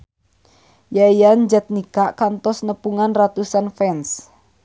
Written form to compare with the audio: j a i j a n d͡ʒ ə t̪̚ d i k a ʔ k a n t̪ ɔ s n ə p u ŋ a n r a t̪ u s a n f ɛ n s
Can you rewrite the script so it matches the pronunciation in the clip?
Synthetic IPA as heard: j a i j a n d͡ʒ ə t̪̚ n i k a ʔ k a n t̪ ɔ s n ə p u ŋ a n r a t̪ u s a n f ɛ n s